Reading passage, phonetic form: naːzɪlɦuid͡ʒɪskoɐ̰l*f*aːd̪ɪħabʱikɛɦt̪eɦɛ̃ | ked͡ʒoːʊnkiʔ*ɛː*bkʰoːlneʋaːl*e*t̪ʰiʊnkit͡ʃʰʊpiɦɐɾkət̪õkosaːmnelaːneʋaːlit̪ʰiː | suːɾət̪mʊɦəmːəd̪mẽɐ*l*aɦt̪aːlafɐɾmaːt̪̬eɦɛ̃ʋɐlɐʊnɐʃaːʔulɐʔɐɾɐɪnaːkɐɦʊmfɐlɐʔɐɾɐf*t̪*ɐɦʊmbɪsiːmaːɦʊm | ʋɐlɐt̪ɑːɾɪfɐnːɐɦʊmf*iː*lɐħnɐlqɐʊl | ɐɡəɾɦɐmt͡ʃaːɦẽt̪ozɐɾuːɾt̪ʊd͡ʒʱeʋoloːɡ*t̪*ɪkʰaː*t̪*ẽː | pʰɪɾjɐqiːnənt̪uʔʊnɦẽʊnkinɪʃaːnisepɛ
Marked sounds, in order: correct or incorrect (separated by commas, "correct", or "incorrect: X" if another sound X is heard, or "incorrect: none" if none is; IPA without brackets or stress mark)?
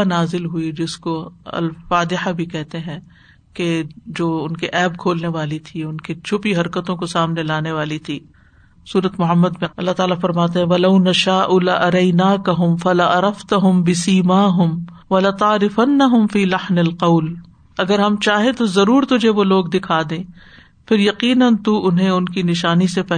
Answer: correct, correct, incorrect: i, incorrect: lː, correct, correct, incorrect: d̪, incorrect: d̪